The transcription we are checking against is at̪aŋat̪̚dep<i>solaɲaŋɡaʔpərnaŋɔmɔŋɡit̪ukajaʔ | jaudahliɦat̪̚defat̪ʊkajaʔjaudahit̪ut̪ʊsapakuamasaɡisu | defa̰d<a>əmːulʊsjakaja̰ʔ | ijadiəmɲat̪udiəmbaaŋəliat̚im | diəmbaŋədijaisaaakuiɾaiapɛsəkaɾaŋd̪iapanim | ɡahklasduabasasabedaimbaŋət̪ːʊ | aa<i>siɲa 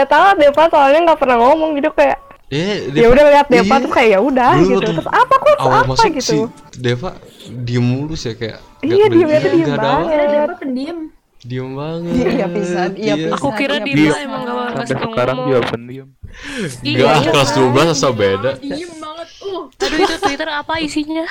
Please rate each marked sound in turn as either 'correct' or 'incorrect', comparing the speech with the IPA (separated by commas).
incorrect, incorrect, correct